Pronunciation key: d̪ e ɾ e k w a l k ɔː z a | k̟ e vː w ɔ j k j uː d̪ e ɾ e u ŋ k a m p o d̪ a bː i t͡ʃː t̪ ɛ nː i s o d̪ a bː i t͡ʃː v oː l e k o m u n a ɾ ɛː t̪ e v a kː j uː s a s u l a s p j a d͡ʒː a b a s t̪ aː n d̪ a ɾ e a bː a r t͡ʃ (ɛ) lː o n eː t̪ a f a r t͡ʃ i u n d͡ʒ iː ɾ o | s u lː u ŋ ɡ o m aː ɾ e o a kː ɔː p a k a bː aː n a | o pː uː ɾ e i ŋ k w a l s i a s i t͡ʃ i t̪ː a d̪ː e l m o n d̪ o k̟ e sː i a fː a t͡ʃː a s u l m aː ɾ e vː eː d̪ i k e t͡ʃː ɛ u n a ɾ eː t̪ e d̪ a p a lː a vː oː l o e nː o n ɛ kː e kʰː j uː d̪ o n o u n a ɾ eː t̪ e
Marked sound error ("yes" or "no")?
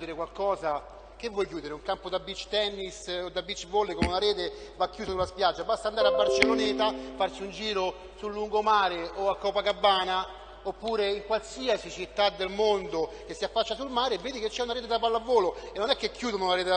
yes